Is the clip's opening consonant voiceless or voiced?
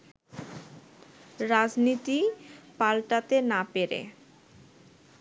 voiced